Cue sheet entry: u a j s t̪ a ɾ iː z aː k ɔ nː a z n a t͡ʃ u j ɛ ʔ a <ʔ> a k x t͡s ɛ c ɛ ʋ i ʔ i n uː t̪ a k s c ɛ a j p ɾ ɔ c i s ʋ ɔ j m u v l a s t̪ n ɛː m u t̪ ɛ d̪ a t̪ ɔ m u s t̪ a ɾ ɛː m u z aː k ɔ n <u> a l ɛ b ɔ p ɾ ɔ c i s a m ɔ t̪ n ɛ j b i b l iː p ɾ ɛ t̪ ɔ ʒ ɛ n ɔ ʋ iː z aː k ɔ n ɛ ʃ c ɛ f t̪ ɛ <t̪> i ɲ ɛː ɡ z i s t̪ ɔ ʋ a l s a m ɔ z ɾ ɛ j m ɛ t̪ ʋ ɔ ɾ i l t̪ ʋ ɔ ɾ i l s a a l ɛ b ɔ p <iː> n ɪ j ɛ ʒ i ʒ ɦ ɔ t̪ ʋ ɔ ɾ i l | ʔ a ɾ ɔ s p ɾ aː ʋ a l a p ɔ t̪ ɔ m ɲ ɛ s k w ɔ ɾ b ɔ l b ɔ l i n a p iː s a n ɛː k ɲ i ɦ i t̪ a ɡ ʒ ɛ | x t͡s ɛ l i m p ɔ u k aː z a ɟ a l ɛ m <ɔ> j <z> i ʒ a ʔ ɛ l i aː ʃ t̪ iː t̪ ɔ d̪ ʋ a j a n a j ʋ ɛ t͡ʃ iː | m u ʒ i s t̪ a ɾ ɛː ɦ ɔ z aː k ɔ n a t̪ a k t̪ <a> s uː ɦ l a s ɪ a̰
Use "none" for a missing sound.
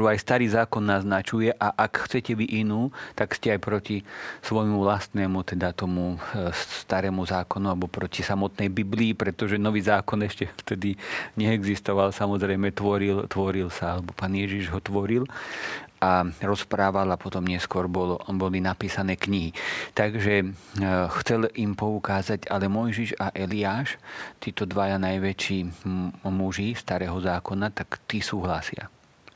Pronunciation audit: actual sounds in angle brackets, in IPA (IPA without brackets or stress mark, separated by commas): ʔ, u, d̪, aː, ɔ, ʒ, i